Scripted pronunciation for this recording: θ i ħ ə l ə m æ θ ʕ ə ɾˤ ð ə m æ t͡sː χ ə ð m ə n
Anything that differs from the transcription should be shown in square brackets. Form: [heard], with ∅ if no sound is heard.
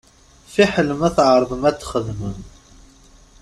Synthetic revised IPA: [f] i ħ ə l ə m æ θ ʕ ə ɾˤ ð ə m æ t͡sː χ ə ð m ə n